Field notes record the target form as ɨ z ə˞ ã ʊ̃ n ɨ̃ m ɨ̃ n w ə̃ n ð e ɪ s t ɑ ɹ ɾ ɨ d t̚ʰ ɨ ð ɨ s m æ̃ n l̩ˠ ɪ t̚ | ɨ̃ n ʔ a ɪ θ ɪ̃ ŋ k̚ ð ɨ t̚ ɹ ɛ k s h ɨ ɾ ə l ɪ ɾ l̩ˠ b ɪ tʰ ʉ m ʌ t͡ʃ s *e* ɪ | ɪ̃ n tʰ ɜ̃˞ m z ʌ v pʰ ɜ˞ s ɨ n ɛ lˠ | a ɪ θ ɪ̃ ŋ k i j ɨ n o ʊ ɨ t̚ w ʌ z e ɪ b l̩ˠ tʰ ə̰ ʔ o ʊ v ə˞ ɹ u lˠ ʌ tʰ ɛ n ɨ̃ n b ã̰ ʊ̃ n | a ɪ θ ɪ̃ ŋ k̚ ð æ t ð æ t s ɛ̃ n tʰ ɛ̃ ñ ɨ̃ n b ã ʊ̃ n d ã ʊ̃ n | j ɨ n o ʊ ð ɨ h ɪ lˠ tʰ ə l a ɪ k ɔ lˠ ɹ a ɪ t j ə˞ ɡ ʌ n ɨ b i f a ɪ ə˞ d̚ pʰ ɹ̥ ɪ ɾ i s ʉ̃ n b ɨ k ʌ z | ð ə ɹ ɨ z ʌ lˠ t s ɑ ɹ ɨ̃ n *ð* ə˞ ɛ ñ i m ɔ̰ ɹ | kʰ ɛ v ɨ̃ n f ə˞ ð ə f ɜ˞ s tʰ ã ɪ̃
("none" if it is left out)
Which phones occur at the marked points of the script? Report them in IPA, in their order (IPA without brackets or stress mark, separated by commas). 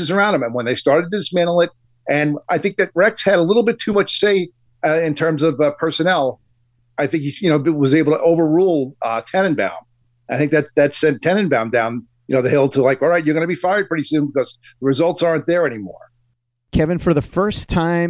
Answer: e, ð